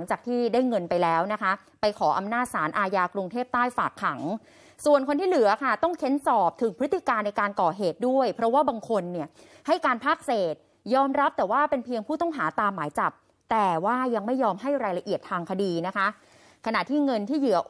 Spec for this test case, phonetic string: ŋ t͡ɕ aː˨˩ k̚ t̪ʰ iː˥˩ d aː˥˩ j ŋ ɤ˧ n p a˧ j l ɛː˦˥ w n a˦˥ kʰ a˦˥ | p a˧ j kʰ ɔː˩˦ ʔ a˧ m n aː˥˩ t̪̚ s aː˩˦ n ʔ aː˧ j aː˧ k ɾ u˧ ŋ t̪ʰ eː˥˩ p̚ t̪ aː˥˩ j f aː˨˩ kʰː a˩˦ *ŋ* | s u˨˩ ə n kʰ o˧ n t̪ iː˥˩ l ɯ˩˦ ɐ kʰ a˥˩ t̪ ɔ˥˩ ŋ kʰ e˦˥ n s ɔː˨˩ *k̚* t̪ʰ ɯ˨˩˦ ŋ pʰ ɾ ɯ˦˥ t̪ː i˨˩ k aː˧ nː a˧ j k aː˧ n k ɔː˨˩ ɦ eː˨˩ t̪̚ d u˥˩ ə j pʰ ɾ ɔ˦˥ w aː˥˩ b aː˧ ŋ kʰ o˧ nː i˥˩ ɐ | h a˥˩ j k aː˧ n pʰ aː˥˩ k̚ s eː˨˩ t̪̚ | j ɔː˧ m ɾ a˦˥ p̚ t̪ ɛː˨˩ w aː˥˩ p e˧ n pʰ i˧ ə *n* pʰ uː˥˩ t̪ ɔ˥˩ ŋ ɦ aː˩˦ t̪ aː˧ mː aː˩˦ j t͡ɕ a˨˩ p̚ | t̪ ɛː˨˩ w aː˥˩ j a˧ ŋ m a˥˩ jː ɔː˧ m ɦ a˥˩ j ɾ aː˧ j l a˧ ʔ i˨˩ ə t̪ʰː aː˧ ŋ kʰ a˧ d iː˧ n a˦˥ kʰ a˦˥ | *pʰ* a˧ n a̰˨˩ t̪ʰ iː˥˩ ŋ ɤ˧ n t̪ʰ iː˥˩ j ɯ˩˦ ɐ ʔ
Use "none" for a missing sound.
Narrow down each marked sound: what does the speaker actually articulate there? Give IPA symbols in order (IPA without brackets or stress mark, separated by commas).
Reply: ŋ, p̚, ŋ, kʰ